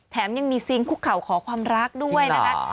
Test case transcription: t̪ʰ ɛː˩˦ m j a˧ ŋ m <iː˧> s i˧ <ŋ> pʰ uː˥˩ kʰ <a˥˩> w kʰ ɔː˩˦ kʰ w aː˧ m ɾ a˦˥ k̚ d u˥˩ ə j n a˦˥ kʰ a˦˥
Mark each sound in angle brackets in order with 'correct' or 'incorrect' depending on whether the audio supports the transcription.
correct, correct, incorrect: a˨˩

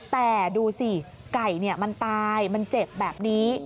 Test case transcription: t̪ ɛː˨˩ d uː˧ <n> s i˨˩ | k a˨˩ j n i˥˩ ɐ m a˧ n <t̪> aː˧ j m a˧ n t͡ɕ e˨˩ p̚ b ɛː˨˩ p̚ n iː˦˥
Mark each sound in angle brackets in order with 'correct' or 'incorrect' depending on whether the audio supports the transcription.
incorrect: none, correct

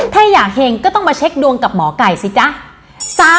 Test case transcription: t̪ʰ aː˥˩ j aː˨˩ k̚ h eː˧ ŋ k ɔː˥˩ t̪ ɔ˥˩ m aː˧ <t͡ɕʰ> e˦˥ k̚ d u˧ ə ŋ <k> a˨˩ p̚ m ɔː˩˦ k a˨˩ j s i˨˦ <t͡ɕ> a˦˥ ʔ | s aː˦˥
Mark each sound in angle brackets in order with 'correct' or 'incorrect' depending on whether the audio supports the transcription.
correct, correct, correct

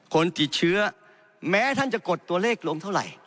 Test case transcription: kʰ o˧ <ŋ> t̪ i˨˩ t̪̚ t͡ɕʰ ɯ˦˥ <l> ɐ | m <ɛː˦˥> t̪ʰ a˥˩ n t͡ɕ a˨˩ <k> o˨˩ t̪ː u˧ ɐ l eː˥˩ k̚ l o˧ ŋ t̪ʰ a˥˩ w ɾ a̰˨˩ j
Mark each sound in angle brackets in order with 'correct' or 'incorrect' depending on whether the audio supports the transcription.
incorrect: n, incorrect: none, correct, correct

